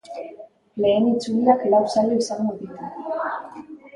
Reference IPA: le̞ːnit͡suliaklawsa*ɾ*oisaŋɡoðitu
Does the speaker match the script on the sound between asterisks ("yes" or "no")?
no